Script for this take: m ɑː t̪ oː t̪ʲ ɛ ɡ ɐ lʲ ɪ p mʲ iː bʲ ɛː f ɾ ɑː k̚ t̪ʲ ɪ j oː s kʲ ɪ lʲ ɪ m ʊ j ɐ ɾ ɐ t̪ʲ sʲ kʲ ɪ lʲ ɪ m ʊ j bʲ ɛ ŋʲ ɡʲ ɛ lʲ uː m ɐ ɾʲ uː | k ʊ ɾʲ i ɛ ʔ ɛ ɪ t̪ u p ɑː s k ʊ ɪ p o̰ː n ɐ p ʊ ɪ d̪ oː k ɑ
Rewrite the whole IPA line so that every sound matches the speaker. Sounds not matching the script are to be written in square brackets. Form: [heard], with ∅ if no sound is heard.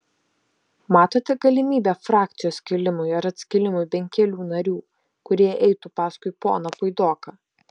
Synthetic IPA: m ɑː t̪ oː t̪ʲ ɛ ɡ ɐ lʲ ɪ [∅] mʲ iː bʲ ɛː f ɾ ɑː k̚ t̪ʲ ɪ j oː s kʲ ɪ lʲ ɪ m ʊ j ɐ ɾ ɐ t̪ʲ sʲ kʲ ɪ lʲ ɪ m ʊ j bʲ ɛ ŋʲ [kʲ] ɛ lʲ uː [n] ɐ ɾʲ uː | k ʊ ɾʲ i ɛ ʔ ɛ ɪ t̪ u p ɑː s k ʊ ɪ p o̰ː n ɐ p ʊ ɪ d̪ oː k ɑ